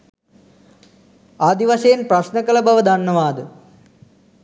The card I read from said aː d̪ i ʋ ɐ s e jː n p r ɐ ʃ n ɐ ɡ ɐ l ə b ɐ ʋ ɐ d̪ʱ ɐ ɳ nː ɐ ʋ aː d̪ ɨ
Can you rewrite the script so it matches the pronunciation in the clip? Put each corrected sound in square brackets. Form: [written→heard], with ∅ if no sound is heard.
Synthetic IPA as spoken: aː d̪ i ʋ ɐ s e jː n p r ɐ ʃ n ɐ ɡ ɐ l [ə→ɐ] b ɐ ʋ ɐ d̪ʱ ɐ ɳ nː ɐ ʋ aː d̪ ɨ